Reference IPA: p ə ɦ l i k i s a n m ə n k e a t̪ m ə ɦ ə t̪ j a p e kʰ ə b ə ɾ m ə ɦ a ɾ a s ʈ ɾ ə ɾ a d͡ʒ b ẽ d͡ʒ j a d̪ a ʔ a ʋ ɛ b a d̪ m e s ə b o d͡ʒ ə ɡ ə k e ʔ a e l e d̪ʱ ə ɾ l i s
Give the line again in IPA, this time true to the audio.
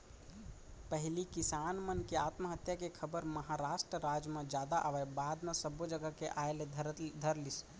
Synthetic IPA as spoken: p ə ɦ l i k i s a n m ə n k e a t̪ m ə ɦ ə t̪ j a k e kʰ ə b ə ɾ m ə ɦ a ɾ a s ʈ ɾ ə ɾ a d͡ʒ m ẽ d͡ʒ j a d̪ a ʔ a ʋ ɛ b a d̪ m e s ə b o d͡ʒ ə ɡ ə k e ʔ a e l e d̪ʱ ə ɾ l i s